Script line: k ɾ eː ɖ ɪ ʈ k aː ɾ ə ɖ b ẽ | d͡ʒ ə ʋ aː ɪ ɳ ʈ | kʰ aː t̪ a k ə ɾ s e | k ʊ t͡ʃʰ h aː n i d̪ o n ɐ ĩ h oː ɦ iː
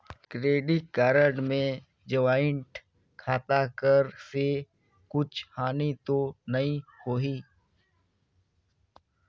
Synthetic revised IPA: k ɾ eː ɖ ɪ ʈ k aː ɾ ə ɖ m ẽ | d͡ʒ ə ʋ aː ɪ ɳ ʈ | kʰ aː t̪ a k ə ɾ s e | k ʊ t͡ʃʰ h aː n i t̪ o n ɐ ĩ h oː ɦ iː